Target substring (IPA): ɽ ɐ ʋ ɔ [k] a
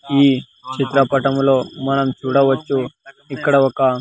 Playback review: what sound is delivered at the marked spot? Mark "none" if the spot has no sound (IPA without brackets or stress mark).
k